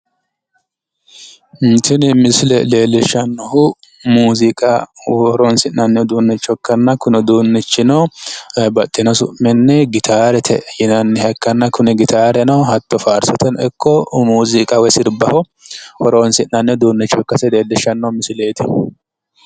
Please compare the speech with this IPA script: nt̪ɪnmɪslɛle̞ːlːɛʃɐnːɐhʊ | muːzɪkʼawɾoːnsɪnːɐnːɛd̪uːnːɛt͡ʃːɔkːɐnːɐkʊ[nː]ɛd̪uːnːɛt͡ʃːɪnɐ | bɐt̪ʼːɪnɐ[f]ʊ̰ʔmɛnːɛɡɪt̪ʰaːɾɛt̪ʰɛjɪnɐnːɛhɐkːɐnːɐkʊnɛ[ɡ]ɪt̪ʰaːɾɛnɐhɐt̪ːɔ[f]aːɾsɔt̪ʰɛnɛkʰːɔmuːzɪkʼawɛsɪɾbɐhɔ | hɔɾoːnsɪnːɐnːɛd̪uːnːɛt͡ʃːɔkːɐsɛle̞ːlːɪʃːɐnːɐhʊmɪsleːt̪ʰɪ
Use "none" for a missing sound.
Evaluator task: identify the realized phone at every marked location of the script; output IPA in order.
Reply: n, s, ɡ, f

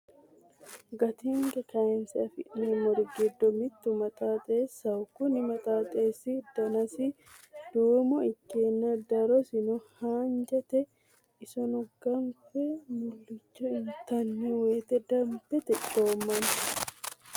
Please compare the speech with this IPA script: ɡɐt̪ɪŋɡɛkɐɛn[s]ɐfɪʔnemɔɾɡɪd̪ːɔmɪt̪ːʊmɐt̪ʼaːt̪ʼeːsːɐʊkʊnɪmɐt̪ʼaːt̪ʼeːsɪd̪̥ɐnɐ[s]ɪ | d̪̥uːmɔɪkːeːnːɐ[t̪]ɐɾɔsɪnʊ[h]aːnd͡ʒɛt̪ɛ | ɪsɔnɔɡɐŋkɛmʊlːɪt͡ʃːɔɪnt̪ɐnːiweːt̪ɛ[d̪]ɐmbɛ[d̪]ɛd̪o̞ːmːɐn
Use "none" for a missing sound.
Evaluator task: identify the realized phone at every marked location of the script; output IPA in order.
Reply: s, s, d̪, h, d̪, t̪

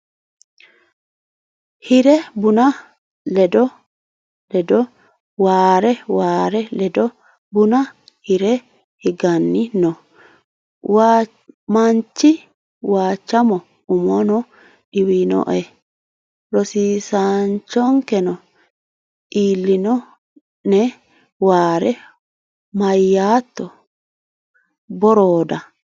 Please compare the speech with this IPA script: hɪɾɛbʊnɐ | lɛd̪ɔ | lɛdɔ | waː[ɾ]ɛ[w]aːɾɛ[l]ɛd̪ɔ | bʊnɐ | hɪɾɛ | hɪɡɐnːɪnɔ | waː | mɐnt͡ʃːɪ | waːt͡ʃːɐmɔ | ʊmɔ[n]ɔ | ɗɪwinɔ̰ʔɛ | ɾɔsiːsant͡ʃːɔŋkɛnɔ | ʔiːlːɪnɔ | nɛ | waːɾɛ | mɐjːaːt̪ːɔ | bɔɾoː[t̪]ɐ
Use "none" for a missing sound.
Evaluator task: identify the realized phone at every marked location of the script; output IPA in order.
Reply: ɾ, w, l, n, d̪

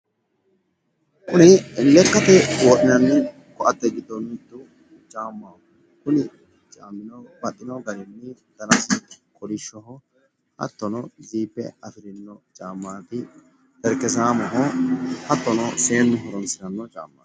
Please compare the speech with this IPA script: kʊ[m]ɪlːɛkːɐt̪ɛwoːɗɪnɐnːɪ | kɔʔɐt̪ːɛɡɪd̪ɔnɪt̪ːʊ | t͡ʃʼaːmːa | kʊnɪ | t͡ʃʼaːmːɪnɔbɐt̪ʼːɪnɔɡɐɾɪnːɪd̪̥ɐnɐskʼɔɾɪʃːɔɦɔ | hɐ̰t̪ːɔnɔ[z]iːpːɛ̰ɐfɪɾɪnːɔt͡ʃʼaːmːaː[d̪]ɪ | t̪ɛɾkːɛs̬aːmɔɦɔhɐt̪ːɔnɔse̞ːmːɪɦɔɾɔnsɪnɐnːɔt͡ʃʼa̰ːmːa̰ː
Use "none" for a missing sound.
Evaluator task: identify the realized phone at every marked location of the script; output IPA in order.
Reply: n, z, t̪

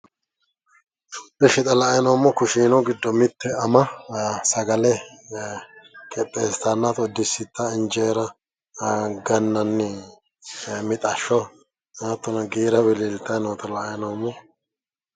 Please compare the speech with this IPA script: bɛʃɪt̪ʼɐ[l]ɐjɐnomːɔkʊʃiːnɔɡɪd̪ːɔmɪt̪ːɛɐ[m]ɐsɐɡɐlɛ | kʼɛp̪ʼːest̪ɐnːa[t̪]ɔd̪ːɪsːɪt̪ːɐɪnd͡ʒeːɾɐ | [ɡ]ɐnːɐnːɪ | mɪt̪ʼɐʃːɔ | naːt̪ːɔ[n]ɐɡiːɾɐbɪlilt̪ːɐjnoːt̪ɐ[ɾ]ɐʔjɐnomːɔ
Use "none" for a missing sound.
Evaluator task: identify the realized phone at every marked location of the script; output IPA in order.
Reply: l, m, t̪, ɡ, n, l

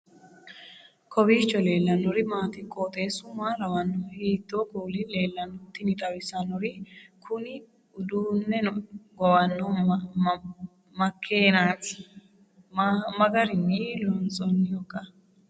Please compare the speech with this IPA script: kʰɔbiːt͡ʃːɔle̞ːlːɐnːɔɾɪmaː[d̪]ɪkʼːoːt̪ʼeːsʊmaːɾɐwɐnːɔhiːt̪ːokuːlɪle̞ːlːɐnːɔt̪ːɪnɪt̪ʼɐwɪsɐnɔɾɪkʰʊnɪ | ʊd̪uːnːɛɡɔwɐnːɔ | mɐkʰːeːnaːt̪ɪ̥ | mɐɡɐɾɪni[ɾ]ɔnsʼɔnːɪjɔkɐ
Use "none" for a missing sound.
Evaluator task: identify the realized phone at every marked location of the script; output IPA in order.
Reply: t̪, l

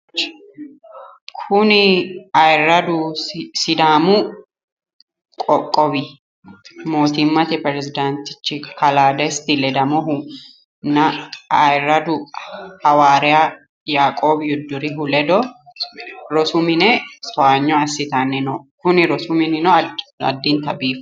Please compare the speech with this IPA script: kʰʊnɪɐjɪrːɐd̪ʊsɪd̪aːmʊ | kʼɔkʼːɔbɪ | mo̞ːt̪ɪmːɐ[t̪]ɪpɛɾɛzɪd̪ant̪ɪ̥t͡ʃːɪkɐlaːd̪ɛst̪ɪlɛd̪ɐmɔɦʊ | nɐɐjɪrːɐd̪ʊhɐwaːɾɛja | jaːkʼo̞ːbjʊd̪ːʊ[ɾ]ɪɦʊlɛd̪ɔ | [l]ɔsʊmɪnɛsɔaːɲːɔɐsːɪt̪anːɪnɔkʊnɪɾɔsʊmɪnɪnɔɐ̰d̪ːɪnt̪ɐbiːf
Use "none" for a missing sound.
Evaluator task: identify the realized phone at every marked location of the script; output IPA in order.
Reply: t̪, ɾ, ɾ

